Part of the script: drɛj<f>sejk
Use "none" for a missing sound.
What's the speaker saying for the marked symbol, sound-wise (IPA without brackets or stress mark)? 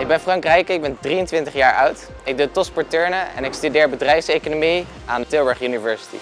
f